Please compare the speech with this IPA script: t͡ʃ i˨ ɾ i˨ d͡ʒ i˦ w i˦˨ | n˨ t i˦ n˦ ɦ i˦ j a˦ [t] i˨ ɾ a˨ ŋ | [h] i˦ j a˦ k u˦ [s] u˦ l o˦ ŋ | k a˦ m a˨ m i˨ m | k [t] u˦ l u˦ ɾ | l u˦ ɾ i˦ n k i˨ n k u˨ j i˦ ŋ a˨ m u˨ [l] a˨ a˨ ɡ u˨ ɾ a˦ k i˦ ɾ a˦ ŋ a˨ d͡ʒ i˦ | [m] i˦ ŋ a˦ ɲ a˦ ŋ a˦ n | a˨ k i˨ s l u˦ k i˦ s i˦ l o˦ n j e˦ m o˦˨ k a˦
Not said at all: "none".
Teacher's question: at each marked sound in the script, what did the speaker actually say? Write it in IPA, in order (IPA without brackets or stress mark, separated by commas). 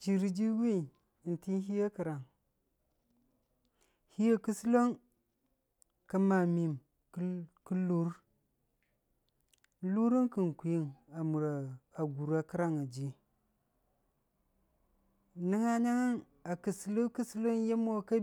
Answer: k, h, s, k, ɾ, n